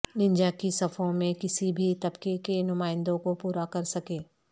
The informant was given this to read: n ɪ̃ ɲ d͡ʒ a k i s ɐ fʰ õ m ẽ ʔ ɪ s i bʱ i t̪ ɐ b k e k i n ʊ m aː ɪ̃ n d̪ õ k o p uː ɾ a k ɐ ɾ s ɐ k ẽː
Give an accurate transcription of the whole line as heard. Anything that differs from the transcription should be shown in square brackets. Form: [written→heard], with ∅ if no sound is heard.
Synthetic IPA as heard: n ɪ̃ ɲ d͡ʒ a k i s ɐ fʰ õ m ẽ [ʔ→k] ɪ s i bʱ i t̪ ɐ b k e k [i→e] n ʊ m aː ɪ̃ n d̪ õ k o p uː ɾ a k ɐ ɾ s ɐ k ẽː

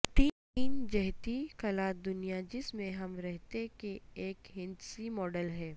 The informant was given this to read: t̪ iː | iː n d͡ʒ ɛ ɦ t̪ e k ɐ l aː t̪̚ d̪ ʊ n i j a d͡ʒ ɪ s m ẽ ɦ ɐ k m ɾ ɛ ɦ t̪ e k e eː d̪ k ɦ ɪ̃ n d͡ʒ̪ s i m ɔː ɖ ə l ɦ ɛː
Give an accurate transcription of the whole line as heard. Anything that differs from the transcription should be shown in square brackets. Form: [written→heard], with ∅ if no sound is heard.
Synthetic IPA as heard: t̪ iː | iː n d͡ʒ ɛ ɦ t̪ [e→i] k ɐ l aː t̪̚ d̪ ʊ n i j a d͡ʒ ɪ s m ẽ ɦ ɐ [k→∅] m ɾ ɛ ɦ t̪ e k e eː [d̪→∅] k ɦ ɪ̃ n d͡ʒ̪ s i m ɔː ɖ ə l ɦ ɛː

